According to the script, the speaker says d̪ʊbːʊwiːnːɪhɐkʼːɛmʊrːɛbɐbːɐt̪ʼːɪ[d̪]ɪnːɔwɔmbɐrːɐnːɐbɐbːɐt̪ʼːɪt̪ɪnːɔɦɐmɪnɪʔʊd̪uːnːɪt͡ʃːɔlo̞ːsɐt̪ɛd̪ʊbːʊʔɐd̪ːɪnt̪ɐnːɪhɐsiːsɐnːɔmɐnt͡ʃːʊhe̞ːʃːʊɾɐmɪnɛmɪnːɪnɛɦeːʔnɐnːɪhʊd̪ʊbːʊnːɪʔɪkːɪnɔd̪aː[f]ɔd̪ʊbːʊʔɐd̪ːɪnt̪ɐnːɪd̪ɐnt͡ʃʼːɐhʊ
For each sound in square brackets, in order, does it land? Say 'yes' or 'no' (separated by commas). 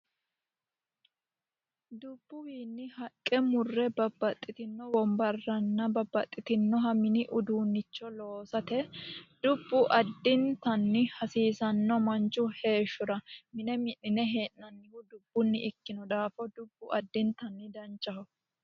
no, yes